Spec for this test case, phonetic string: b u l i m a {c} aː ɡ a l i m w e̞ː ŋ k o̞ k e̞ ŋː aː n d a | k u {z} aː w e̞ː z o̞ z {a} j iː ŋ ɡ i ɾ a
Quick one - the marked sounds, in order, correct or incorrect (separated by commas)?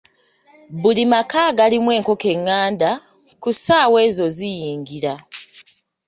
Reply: incorrect, incorrect, incorrect